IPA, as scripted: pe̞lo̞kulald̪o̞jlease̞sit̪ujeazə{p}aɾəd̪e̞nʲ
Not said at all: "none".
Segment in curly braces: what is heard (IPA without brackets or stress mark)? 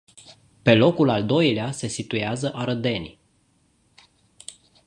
ʔ